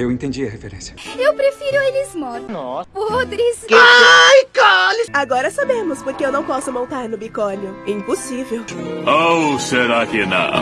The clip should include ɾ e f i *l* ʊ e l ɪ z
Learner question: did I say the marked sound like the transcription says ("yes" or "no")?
no